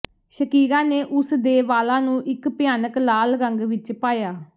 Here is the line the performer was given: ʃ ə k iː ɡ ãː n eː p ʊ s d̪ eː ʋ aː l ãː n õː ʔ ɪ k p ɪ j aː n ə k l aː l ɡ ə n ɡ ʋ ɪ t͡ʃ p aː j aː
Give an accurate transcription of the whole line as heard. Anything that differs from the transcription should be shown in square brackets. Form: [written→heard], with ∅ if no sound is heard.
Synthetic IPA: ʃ ə k iː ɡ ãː n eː [p→ʔ] ʊ s d̪ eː ʋ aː l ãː n [õː→ũː] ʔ ɪ k p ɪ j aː n ə k l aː l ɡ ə [n→ŋ] ɡ ʋ ɪ t͡ʃ p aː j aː